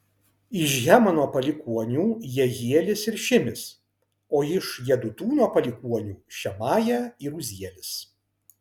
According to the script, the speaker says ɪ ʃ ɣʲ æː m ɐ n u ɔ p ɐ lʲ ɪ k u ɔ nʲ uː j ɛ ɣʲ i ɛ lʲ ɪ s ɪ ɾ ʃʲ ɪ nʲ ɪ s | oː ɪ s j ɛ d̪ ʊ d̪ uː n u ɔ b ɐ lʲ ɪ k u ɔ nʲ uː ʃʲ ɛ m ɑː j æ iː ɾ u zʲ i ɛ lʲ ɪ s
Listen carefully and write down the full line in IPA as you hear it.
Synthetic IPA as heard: ɪ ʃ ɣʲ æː m ɐ n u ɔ p ɐ lʲ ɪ k u ɔ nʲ uː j ɛ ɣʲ i ɛ lʲ ɪ s ɪ ɾ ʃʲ ɪ mʲ ɪ s | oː ɪ ʃ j ɛ d̪ ʊ t̪ uː n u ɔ p ɐ lʲ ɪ k u ɔ nʲ uː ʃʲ ɛ m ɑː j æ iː ɾ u zʲ i ɛ lʲ ɪ s